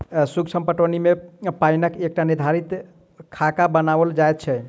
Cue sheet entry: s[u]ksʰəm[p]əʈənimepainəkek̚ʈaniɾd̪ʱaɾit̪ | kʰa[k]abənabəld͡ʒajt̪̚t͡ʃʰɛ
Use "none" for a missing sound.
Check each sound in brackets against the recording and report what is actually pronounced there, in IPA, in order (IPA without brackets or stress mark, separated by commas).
u, p, k